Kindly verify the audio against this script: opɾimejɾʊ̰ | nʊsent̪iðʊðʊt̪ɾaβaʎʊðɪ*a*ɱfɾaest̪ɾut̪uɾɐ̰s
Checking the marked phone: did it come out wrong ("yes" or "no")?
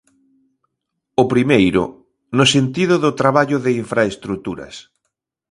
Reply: yes